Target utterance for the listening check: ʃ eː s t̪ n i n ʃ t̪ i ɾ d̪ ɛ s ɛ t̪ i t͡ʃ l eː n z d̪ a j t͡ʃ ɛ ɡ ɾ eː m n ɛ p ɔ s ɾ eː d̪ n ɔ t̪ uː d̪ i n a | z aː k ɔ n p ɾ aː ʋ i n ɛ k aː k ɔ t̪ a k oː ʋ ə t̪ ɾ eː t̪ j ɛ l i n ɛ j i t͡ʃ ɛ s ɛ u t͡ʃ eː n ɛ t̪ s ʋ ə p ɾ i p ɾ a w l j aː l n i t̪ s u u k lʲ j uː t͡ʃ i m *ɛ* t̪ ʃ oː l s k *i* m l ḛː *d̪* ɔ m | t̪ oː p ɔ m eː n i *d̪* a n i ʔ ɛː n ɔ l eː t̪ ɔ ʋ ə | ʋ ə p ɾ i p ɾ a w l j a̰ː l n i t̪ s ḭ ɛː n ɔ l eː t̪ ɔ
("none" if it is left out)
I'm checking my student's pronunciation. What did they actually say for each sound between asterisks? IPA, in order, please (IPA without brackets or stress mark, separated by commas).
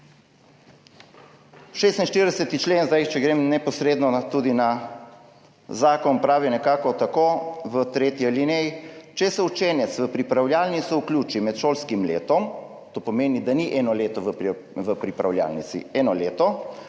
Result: ɛ, i, t̪, d̪